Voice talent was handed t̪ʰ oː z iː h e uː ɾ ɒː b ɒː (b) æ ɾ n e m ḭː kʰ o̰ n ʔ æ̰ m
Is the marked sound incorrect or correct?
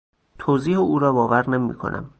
incorrect